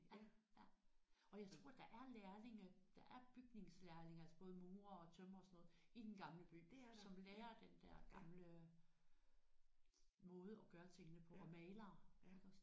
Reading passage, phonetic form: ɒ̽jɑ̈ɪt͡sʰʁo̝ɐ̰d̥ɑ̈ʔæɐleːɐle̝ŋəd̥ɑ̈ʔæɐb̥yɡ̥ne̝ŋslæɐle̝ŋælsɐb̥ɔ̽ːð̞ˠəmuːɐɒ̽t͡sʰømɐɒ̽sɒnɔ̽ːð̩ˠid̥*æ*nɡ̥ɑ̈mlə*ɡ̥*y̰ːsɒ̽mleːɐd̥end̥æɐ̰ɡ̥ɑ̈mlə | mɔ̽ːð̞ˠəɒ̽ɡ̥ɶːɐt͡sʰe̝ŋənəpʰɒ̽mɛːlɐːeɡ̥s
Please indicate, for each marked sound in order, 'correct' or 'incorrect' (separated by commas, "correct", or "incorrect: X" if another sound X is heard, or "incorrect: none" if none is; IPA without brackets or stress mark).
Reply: incorrect: e, incorrect: b̥